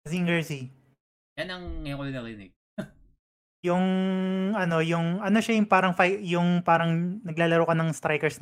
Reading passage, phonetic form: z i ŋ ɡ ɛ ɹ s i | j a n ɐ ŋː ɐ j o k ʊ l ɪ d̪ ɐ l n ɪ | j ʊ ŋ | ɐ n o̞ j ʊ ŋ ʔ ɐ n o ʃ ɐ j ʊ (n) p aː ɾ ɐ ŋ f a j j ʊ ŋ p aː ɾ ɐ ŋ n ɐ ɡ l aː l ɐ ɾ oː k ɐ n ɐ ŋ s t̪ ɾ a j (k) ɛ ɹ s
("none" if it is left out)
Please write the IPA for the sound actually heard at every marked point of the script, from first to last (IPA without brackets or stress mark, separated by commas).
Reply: ŋ, k